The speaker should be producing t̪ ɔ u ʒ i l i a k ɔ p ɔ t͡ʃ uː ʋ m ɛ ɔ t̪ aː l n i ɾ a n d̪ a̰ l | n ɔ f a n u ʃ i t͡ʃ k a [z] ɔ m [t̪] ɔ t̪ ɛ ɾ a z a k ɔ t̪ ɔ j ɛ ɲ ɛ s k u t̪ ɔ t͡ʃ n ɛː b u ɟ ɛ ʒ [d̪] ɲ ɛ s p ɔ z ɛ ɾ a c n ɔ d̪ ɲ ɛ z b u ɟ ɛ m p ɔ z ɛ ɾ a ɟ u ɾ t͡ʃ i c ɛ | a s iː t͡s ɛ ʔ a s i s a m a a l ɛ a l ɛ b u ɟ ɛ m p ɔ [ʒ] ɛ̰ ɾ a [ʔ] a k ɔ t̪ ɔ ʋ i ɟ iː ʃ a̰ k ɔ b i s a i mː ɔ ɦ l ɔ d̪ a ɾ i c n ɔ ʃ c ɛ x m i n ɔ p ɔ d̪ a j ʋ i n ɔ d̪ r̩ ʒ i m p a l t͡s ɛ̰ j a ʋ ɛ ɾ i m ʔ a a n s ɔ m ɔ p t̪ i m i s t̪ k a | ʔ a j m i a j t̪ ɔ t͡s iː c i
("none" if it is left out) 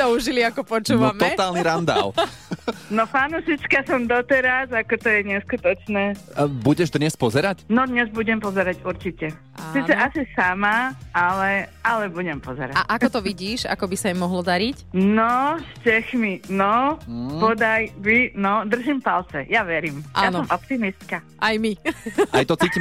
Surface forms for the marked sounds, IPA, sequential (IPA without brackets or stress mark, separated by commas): s, d̪, d̪, z, ʔ